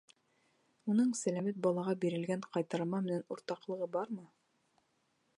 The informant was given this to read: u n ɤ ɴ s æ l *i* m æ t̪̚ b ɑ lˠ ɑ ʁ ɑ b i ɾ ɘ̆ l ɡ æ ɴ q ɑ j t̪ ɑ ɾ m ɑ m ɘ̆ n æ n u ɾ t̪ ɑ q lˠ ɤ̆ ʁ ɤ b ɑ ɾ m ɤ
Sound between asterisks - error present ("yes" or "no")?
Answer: yes